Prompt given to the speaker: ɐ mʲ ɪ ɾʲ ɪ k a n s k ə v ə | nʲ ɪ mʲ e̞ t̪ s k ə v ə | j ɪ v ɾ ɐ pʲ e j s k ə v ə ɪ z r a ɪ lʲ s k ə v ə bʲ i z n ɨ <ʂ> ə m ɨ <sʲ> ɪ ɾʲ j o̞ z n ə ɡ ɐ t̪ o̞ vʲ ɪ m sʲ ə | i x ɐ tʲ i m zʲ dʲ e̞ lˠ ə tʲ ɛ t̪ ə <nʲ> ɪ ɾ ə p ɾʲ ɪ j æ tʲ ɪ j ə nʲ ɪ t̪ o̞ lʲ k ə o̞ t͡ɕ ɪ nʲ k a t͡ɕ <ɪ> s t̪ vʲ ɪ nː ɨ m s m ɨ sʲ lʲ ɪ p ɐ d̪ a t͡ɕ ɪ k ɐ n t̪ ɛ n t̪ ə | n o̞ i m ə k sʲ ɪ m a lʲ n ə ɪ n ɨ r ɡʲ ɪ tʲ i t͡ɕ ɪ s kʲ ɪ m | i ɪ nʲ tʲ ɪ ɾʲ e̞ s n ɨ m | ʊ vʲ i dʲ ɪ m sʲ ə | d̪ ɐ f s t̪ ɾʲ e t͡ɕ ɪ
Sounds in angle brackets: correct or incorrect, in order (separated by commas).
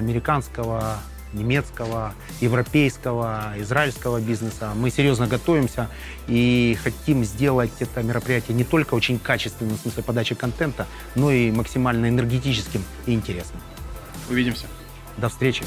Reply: incorrect, correct, incorrect, correct